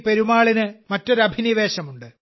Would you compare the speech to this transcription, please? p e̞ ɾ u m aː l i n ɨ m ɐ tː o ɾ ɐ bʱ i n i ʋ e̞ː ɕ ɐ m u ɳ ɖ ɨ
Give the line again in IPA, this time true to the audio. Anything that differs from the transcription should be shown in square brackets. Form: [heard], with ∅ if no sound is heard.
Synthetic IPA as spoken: p e̞ ɾ u m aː [ɭ] i n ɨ m ɐ tː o ɾ ɐ bʱ i n i ʋ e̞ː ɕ ɐ m u ɳ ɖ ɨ